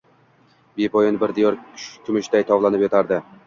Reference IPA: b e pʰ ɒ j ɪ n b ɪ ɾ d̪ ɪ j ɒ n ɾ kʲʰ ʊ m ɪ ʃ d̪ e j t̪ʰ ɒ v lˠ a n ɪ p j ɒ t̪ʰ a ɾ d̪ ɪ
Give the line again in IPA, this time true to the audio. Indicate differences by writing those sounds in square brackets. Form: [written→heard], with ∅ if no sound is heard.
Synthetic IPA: b e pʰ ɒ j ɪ n b ɪ ɾ d̪ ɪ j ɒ [n→∅] ɾ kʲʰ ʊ m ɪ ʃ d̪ [e→a] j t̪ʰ ɒ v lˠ a n ɪ p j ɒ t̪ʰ a ɾ d̪ ɪ

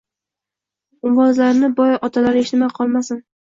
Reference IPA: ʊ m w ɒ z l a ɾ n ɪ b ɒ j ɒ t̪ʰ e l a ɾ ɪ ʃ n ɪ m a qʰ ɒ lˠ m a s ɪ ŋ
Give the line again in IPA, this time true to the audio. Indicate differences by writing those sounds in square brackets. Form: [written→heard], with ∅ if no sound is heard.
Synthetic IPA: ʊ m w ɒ z l a ɾ n ɪ b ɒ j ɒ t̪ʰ [e→a] l a ɾ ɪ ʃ n ɪ m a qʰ ɒ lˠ m a s ɪ [ŋ→n]

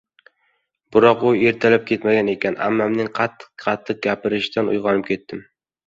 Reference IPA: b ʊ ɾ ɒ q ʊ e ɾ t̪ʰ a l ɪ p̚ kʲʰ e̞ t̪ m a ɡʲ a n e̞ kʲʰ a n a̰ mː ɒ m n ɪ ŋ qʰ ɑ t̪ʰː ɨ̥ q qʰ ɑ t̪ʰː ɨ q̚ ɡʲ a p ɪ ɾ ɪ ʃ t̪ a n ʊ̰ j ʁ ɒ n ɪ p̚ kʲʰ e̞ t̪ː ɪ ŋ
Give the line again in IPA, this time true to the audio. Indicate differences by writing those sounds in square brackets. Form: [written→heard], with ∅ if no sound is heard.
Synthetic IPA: b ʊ ɾ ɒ q ʊ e ɾ t̪ʰ a l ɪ p̚ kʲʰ e̞ t̪ m a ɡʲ a n e̞ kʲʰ a n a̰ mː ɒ m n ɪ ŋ qʰ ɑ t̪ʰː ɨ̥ q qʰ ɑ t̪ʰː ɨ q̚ ɡʲ a p ɪ ɾ ɪ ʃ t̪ a n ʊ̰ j ʁ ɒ n ɪ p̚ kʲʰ e̞ t̪ː ɪ [ŋ→m]

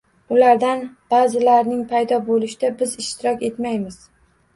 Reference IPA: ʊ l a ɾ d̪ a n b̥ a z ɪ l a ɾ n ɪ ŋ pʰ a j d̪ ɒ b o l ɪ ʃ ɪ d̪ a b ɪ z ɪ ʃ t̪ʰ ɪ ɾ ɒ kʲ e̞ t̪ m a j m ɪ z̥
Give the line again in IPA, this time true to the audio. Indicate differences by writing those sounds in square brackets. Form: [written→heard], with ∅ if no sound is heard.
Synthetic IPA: ʊ l a ɾ d̪ a n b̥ a z ɪ l a ɾ n ɪ ŋ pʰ a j d̪ ɒ b o l ɪ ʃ ɪ d̪ a b ɪ z ɪ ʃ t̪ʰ ɪ ɾ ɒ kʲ e̞ t̪ m a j m ɪ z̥

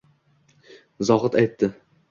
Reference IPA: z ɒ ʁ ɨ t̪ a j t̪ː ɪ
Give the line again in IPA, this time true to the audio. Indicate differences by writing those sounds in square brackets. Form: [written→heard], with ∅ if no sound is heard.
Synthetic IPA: z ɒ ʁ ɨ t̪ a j t̪ː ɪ

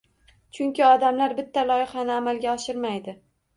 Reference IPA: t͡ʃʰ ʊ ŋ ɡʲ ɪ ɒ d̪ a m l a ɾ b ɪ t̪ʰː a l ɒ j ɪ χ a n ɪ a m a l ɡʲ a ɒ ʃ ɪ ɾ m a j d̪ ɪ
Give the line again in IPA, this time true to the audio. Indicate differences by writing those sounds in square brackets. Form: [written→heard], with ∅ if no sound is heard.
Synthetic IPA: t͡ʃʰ ʊ ŋ [ɡʲ→kʲ] ɪ ɒ d̪ a m l a ɾ b ɪ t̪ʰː a l ɒ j ɪ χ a n ɪ a m a l ɡʲ a ɒ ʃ ɪ ɾ m a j d̪ ɪ

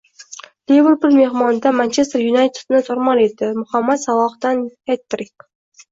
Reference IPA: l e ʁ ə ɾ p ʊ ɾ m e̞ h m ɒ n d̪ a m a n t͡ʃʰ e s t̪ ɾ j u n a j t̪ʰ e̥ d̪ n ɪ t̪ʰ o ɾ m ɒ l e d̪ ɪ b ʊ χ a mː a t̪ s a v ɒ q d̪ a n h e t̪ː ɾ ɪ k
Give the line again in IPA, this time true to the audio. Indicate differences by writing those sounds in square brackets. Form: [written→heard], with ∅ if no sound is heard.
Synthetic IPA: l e [ʁ→v] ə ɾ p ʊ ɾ m e̞ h m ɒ n d̪ a m a n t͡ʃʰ e s t̪ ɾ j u n a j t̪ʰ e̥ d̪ n ɪ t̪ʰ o ɾ m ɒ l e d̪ ɪ [b→m] ʊ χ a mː a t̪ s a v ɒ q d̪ a n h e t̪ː ɾ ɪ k

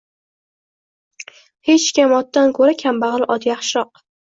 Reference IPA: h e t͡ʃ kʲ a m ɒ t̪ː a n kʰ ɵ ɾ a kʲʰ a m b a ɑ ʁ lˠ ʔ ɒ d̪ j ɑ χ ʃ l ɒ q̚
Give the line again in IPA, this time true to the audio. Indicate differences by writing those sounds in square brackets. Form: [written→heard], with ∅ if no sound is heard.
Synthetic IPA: h e t͡ʃ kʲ a m ɒ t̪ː a n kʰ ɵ ɾ a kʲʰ a m b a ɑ ʁ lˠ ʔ ɒ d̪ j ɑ χ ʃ [l→ɾ] ɒ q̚

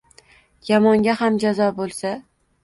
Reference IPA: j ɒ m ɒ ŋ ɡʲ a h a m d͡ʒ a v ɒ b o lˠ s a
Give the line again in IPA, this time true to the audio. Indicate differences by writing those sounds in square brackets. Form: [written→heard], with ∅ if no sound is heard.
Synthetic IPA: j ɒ m ɒ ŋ ɡʲ a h a m d͡ʒ a [v→z] ɒ b o lˠ s a

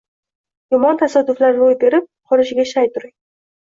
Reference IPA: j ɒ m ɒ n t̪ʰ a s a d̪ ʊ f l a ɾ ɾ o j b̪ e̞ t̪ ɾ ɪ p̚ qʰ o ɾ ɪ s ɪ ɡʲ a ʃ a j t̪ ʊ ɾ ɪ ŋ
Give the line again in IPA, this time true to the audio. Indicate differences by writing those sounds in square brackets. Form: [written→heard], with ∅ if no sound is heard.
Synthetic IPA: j ɒ m ɒ n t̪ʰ a s a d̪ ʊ f l a ɾ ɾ o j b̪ e̞ [t̪→∅] ɾ ɪ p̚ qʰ [o→ɒ] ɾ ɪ [s→ʃ] ɪ ɡʲ a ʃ a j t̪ ʊ ɾ ɪ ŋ

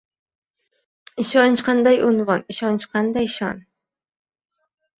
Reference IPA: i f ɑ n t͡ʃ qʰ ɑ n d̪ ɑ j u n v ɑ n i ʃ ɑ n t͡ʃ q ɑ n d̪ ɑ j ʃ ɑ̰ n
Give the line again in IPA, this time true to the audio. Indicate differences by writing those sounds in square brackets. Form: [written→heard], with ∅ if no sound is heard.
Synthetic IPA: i [f→ʃ] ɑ n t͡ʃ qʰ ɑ n d̪ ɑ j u n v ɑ n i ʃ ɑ n t͡ʃ q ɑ n d̪ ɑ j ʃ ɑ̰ n

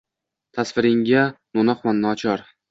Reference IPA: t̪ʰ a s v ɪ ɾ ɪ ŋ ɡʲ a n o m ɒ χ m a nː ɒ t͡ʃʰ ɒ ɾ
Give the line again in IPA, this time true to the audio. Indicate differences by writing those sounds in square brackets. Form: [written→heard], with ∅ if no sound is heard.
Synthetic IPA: t̪ʰ a s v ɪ ɾ ɪ ŋ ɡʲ a n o [m→n] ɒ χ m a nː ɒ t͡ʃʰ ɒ ɾ

